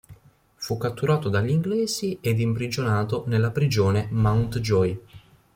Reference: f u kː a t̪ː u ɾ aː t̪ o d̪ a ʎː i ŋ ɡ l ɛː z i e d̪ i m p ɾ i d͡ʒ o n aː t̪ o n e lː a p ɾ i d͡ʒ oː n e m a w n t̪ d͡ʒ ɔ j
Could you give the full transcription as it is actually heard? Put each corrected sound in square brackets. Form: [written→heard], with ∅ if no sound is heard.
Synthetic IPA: f u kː a t̪ː u ɾ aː t̪ o d̪ a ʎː i ŋ ɡ l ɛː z i e d̪ i m p ɾ i d͡ʒ o n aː t̪ o n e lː a p ɾ i d͡ʒ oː n e m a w n t̪ d͡ʒ ɔ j